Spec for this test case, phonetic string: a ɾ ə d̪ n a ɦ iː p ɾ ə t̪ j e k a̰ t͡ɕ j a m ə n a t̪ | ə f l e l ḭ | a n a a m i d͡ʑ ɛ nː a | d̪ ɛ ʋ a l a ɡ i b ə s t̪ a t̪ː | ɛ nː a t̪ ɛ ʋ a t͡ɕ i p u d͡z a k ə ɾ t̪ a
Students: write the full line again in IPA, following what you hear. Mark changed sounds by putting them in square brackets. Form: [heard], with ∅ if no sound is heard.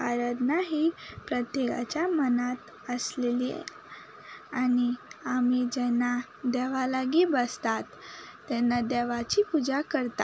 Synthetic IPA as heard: a ɾ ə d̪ n a ɦ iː p ɾ ə t̪ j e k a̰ t͡ɕ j a m ə n a t̪ | ə [s] l e l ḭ | a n [i] a m i d͡ʑ ɛ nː a | d̪ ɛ ʋ a l a ɡ i b ə s t̪ a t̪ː | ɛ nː a [d̪] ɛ ʋ a t͡ɕ i p u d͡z a k ə ɾ t̪ a

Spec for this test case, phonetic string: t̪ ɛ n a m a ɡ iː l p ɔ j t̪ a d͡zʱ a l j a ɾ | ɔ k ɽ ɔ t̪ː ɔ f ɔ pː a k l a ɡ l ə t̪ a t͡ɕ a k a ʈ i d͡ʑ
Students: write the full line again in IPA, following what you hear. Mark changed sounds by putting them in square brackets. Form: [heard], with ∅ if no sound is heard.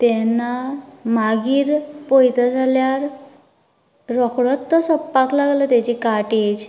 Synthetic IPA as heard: t̪ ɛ n a m a ɡ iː [ɾ] p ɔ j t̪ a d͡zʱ a l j a ɾ | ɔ k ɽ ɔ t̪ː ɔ [s] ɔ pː a k l a ɡ l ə t̪ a t͡ɕ [i] k a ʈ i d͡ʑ

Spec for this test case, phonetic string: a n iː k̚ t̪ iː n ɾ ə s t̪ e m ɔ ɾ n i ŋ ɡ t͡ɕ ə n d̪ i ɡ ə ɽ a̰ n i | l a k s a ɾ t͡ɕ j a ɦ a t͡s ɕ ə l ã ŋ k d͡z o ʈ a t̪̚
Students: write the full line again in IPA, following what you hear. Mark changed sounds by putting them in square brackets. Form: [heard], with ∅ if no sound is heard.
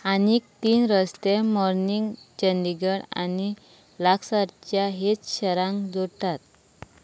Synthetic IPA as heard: a n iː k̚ t̪ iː n ɾ ə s t̪ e m ɔ ɾ n i ŋ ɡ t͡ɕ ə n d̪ i ɡ ə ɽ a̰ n i | l a k s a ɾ t͡ɕ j a ɦ [e] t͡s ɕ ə [ɾ] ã ŋ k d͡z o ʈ a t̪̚

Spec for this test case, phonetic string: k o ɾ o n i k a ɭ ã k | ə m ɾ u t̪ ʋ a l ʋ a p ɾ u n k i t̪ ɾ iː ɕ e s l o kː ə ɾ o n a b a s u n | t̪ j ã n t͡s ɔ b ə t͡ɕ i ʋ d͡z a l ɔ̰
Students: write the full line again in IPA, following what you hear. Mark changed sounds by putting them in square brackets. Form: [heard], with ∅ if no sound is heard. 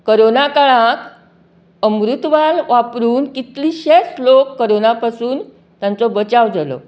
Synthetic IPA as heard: k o ɾ o n [a] k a ɭ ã k | ə m ɾ u t̪ ʋ a l ʋ a p ɾ [uː] n k i t̪ [l] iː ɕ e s l o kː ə ɾ o n a [p] a s [uː] n | t̪ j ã n t͡s ɔ b ə t͡ɕ [a] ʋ d͡z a l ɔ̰

